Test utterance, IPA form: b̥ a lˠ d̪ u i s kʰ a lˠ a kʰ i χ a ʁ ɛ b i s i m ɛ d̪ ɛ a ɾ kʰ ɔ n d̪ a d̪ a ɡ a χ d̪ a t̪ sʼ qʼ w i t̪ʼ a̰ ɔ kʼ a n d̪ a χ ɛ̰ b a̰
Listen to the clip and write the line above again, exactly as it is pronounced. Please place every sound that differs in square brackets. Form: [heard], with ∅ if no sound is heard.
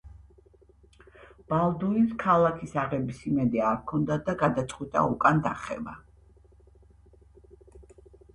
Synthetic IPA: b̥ a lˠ d̪ u i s kʰ a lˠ a kʰ i [s] a ʁ ɛ b i s i m ɛ d̪ ɛ a ɾ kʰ ɔ n d̪ a d̪ a ɡ a [∅] d̪ a t̪ sʼ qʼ w i t̪ʼ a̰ [u] kʼ a n d̪ a χ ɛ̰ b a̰